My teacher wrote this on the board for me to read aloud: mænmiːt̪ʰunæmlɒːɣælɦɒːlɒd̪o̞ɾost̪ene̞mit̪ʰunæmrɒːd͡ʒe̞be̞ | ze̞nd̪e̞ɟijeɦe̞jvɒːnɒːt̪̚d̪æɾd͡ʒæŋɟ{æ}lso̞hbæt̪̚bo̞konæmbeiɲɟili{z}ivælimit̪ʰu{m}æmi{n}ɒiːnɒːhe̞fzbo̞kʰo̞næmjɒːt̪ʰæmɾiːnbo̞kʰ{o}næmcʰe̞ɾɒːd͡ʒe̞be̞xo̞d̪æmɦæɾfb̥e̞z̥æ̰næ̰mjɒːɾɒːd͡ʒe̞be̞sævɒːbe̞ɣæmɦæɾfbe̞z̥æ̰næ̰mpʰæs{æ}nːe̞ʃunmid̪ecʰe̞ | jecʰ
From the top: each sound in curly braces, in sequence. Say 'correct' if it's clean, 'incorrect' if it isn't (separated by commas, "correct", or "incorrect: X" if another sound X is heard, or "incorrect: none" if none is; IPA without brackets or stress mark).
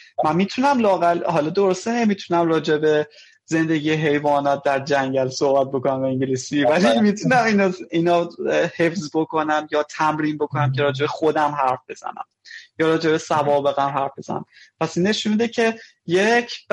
correct, incorrect: s, incorrect: n, correct, correct, incorrect: i